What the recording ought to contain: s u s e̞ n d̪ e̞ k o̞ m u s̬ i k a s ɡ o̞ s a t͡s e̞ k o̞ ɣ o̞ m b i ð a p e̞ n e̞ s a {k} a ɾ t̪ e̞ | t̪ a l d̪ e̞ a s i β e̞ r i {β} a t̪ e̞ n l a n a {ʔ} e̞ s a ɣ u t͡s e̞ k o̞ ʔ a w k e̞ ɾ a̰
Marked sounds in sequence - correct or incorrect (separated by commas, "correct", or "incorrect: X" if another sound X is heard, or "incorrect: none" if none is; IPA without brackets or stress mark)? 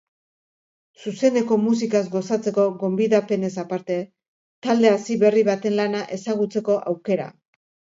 incorrect: p, correct, correct